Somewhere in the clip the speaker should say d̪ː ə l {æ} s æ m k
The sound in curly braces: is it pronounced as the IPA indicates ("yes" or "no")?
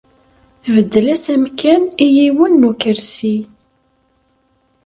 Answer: yes